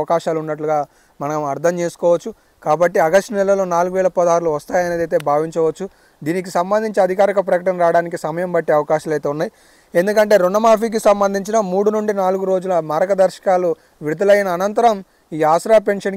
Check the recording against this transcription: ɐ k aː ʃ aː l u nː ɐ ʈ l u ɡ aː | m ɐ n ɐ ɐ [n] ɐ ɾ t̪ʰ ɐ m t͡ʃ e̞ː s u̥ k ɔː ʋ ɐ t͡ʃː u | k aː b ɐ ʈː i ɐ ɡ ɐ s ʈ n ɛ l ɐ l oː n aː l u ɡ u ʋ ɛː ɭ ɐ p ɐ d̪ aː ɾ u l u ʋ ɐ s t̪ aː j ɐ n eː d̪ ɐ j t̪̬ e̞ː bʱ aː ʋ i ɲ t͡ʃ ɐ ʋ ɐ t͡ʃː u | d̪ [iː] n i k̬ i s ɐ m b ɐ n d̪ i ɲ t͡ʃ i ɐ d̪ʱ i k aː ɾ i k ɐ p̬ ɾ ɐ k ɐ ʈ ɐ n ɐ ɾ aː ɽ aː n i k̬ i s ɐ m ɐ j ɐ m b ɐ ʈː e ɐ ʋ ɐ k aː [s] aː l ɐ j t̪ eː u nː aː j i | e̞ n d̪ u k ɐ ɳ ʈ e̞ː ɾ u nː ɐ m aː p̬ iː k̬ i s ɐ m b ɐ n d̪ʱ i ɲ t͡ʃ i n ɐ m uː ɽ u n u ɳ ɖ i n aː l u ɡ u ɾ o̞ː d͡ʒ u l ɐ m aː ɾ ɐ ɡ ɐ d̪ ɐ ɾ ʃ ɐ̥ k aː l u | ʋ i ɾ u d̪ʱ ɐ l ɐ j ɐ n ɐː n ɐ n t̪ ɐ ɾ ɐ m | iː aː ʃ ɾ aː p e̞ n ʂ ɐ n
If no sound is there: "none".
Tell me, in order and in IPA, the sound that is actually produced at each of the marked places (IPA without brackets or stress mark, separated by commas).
m, iː, ʃ